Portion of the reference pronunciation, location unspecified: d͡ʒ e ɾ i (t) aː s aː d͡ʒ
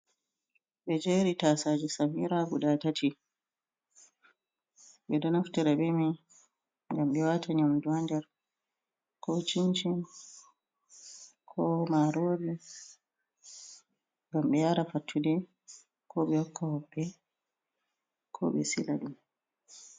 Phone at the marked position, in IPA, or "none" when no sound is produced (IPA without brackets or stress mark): t